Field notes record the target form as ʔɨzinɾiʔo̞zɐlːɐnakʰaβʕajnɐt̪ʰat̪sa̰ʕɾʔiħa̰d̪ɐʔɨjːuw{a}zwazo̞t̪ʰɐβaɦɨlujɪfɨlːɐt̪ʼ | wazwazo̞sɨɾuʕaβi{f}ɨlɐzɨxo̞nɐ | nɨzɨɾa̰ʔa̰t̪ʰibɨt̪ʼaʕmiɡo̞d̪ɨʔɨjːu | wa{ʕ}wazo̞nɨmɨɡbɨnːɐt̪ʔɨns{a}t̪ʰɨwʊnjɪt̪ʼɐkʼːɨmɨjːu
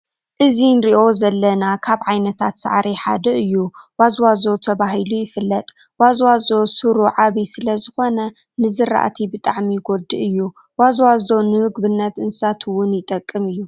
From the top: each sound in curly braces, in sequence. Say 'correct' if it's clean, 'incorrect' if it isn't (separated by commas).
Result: correct, incorrect, incorrect, correct